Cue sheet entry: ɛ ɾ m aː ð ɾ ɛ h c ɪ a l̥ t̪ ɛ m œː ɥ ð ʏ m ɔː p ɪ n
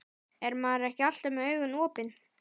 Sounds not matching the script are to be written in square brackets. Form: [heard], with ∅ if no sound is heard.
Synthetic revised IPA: ɛ ɾ m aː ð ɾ ɛ h c ɪ a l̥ t̪ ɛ m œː ɥ [ɣ] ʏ [n] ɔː p ɪ n